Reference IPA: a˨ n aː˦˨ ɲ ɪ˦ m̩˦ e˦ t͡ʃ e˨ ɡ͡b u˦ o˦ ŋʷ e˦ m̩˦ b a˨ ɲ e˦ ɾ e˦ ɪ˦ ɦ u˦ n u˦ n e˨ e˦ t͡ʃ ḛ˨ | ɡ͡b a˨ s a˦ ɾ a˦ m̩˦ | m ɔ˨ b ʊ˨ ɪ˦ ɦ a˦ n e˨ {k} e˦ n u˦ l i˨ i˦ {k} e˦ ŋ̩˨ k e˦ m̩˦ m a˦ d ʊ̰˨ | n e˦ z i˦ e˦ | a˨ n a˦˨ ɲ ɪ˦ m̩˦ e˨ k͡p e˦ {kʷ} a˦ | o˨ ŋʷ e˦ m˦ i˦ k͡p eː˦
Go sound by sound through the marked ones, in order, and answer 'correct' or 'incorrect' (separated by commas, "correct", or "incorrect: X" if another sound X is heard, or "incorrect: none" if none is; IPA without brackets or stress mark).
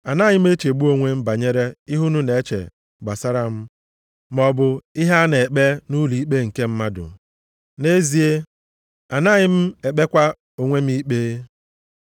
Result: incorrect: k͡p, incorrect: k͡p, correct